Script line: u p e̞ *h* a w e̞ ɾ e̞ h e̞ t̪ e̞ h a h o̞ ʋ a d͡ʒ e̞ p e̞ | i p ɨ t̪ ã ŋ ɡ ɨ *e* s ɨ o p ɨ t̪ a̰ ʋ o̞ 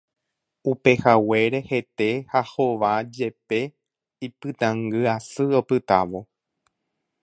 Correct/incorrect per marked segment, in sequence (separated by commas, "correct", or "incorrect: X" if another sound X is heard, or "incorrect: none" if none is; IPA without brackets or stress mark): correct, incorrect: a